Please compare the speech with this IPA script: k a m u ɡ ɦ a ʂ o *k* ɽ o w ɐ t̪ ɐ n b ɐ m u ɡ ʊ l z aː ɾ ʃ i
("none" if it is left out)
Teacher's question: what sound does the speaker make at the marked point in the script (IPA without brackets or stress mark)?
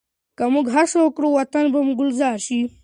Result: k